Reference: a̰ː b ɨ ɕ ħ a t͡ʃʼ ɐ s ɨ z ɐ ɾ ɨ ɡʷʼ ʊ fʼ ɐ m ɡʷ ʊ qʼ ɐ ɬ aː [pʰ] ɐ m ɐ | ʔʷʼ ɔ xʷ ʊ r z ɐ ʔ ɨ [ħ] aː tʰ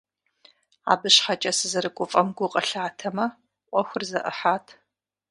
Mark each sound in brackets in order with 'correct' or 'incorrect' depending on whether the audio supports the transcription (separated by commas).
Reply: incorrect, correct